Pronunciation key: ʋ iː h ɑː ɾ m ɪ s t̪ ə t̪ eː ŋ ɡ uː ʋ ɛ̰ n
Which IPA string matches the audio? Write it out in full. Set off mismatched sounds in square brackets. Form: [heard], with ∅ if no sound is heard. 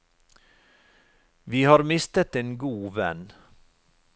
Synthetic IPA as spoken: ʋ iː h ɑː ɾ m ɪ s t̪ ə t̪ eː [n] ɡ uː ʋ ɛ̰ n